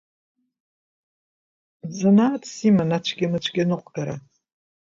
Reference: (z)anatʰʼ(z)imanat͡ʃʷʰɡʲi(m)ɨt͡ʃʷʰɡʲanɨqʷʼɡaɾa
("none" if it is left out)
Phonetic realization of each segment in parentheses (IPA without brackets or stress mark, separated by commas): z, s, m